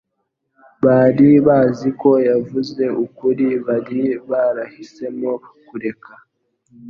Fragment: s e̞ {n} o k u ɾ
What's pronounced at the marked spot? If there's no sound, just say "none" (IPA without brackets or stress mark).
m